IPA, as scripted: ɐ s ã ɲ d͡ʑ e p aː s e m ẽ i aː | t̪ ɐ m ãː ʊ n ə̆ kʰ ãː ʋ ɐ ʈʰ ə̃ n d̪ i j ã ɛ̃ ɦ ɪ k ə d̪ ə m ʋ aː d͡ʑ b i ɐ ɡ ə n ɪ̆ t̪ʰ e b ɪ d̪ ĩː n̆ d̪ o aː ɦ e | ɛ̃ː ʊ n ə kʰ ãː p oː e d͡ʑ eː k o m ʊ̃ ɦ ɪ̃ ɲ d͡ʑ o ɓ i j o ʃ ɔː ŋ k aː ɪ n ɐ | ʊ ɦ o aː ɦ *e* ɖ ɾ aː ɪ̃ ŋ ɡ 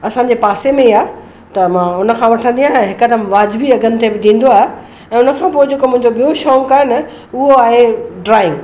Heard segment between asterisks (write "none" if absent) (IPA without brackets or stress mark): e